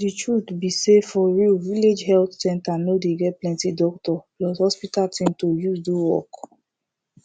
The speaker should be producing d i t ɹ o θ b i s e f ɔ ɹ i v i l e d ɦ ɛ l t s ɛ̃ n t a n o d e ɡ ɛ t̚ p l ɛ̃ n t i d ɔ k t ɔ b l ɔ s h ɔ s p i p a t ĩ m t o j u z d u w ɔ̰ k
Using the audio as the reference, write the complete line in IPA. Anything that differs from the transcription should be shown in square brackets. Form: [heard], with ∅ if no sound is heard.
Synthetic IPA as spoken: d i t ɹ [u] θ b i s e f ɔ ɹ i v i l e [d͡ʒ] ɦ ɛ l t s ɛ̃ n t a n o d e ɡ ɛ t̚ p l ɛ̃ n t i d ɔ k t ɔ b l ɔ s h ɔ s p i [t] a t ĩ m t o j u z d u w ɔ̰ k